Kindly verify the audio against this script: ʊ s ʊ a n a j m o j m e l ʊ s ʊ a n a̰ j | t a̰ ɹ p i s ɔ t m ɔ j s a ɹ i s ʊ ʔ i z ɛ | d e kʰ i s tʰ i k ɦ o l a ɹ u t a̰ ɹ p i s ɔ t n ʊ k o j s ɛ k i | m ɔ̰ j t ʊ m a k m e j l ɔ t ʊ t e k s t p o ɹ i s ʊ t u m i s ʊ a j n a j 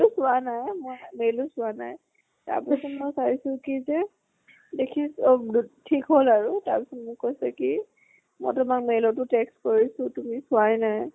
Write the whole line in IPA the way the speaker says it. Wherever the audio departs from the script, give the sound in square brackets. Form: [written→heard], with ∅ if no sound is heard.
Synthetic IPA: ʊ s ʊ a n a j m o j m e l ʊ s ʊ a n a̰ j | t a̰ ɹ p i s ɔ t m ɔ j s a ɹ i s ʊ [ʔ→k] i z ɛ | d e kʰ i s tʰ i k ɦ o l a ɹ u t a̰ ɹ p i s ɔ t [n→m] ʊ k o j s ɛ k i | m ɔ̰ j t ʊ m a k m e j l ɔ t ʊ t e k s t [p→k] o ɹ i s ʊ t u m i s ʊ a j n a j